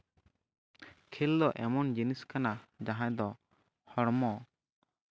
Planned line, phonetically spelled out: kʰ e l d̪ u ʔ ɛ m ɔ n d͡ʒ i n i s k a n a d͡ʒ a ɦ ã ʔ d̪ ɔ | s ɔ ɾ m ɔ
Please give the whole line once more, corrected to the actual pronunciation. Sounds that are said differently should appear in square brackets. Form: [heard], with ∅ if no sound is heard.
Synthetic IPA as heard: kʰ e l d̪ [ɔ] ʔ ɛ m ɔ n d͡ʒ i n i s k a n a d͡ʒ a ɦ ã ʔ d̪ ɔ | [h] ɔ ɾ m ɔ